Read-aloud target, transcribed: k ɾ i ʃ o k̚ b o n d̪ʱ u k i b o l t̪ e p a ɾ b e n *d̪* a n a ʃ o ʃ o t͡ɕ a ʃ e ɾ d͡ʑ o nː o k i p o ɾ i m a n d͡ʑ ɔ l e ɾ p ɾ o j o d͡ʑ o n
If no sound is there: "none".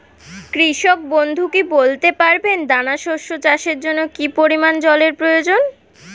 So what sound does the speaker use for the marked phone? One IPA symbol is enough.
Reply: d̪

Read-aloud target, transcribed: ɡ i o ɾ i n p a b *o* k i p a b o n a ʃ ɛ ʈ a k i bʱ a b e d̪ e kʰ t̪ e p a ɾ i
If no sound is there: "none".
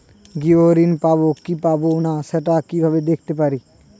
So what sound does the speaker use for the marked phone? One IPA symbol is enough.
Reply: o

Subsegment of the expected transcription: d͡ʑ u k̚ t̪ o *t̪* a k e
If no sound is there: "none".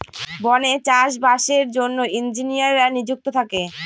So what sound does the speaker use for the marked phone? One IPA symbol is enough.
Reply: t̪ʰ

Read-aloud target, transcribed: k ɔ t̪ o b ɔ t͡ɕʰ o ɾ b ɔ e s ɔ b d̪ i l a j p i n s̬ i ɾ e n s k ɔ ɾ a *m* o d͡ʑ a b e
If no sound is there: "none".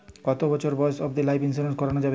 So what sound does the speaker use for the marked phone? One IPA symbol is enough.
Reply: n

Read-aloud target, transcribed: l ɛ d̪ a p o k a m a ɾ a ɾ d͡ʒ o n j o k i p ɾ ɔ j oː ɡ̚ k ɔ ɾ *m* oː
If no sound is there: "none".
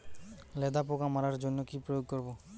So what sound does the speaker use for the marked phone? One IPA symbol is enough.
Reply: b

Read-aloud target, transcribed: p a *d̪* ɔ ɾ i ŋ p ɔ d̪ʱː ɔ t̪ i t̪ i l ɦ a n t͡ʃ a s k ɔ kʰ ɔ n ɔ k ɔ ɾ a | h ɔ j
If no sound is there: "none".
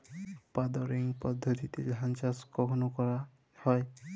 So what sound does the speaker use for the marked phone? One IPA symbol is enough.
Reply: d̪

